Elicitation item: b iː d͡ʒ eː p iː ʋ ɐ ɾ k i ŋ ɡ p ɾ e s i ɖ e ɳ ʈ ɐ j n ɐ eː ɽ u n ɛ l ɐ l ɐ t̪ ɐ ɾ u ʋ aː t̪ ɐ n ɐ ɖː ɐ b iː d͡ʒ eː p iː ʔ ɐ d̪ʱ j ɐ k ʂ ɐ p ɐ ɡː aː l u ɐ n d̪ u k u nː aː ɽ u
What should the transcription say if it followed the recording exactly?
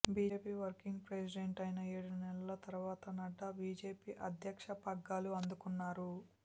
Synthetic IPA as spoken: b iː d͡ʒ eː p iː ʋ ɐ ɾ k i ŋ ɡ p ɾ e s i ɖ e ɳ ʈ ɐ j n ɐ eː ɽ u n ɛ l ɐ l ɐ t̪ ɐ ɾ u ʋ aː t̪ ɐ n ɐ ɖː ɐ b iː d͡ʒ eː p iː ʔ ɐ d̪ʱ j ɐ k ʂ ɐ p ɐ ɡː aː l u ɐ n d̪ u k u nː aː ɾ u

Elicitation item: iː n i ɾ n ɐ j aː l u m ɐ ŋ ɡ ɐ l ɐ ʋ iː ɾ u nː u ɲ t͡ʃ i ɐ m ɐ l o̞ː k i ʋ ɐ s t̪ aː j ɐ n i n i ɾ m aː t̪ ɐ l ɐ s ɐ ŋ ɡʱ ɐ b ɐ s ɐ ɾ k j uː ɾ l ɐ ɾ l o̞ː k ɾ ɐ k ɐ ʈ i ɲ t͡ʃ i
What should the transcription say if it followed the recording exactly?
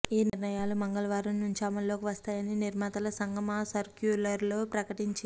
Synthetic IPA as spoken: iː n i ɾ n ɐ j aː l u m ɐ ŋ ɡ ɐ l ɐ ʋ aː ɾ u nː u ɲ t͡ʃ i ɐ m ɐ l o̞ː k i ʋ ɐ s t̪ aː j ɐ n i n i ɾ m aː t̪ ɐ l ɐ s ɐ ŋ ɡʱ ɐ m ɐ s ɐ ɾ k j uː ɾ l ɐ ɾ l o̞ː p ɾ ɐ k ɐ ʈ i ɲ t͡ʃ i

